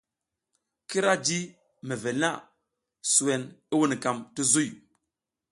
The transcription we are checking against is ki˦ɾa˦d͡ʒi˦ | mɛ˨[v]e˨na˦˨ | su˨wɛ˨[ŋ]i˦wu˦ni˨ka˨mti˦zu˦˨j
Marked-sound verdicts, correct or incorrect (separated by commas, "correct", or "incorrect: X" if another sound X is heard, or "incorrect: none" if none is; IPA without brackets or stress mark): correct, incorrect: n